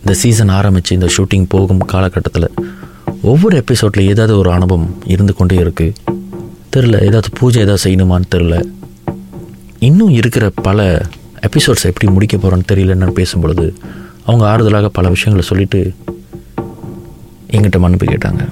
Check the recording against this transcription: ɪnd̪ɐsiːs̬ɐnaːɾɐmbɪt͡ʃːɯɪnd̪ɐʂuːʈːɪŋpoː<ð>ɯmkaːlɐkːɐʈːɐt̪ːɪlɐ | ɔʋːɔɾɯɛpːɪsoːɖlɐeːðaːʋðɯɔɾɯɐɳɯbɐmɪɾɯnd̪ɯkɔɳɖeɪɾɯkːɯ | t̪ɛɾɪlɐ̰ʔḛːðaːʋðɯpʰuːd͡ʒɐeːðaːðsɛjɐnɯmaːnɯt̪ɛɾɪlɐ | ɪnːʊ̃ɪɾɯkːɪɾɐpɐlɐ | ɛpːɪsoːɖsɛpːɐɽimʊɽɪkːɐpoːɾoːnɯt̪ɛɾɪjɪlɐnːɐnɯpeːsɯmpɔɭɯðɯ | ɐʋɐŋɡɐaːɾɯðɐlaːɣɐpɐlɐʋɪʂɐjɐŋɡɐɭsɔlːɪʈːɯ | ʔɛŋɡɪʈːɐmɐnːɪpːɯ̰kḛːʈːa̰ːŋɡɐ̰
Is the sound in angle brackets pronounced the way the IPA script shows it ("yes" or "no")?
no